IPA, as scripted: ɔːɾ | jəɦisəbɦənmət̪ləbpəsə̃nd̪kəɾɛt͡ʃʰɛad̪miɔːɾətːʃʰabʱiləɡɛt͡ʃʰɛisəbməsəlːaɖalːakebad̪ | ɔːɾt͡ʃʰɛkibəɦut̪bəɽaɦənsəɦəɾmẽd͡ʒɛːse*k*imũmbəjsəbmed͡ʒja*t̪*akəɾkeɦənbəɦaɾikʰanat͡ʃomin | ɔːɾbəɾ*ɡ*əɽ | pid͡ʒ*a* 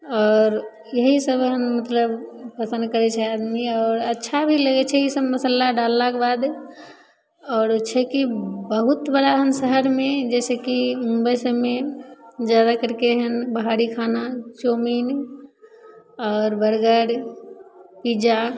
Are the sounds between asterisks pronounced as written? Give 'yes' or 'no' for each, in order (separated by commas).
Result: yes, no, yes, yes